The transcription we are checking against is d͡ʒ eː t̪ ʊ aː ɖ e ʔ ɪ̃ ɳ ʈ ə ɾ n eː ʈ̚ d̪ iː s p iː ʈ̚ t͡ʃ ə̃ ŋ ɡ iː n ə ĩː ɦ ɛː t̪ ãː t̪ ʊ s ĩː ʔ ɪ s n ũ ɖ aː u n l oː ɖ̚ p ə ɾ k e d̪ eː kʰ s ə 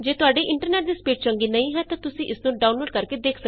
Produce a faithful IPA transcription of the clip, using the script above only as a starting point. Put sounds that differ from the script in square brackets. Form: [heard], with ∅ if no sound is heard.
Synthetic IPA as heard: d͡ʒ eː t̪ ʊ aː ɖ e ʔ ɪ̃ ɳ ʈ ə ɾ n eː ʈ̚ d̪ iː s p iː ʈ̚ t͡ʃ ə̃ ŋ ɡ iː n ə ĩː ɦ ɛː t̪ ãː t̪ ʊ s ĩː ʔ ɪ s n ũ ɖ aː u n l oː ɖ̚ [k] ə ɾ k e d̪ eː kʰ s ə